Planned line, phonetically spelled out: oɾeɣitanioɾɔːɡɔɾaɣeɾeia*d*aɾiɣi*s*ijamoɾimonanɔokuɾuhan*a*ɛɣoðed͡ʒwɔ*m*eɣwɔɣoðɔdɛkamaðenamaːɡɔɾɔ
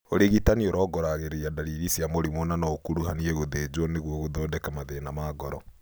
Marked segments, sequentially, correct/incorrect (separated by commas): correct, correct, incorrect, incorrect